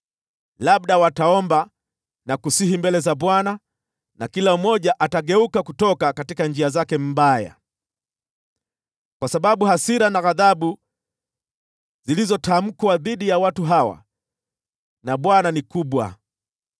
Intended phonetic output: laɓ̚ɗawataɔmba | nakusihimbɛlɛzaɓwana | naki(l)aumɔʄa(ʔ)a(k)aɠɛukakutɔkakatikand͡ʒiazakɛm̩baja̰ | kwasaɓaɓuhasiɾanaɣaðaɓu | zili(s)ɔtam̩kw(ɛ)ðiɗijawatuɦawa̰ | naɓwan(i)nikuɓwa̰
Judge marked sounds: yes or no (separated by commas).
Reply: yes, yes, no, no, no, no